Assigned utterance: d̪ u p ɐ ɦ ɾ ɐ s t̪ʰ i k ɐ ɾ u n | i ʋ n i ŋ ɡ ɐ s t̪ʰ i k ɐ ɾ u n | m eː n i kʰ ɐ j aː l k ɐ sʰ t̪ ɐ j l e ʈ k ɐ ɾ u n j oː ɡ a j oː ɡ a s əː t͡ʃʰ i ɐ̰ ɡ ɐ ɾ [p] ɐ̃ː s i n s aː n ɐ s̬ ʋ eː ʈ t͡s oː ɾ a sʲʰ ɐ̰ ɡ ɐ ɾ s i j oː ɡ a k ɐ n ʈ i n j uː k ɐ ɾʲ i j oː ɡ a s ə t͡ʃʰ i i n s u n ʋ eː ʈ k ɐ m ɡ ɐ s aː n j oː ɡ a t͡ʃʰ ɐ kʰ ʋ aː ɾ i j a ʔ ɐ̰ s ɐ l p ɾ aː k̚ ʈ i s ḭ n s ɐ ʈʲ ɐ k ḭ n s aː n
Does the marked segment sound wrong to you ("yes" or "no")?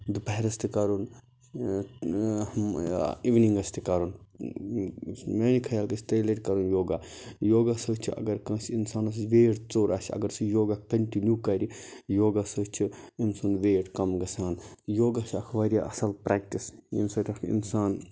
yes